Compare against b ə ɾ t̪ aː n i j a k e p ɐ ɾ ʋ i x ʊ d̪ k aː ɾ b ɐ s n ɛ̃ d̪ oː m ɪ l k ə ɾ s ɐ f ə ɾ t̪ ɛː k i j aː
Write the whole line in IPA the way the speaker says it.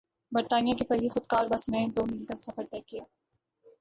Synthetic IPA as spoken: b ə ɾ t̪ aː n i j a k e p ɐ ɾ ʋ i x ʊ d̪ k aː ɾ b ɐ s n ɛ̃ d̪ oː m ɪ l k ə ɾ s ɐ f ə ɾ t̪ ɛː k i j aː